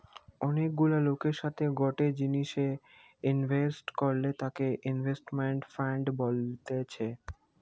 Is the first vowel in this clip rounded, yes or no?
yes